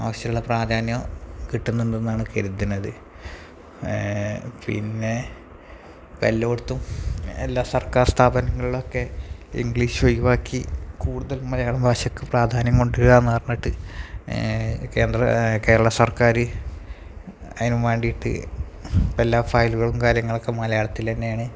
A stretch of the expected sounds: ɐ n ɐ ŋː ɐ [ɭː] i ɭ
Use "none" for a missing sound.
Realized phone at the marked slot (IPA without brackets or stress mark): ɭ